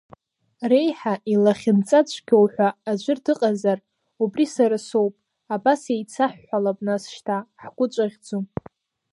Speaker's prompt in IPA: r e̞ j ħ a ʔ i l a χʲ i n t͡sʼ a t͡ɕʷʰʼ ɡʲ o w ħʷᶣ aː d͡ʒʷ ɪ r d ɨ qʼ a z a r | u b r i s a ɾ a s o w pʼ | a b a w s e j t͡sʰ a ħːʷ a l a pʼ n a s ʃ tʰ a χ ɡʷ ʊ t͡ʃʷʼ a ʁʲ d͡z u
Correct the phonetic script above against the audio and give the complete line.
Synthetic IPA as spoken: r e̞ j ħ a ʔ i l a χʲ ɪ n t͡sʼ a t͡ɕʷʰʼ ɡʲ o w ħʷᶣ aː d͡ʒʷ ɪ r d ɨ qʼ a z a r | u b r i s a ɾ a s o w pʼ | a b a s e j t͡sʰ a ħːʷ a l a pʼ n a s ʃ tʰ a ħ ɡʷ ʊ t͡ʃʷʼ a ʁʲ d͡z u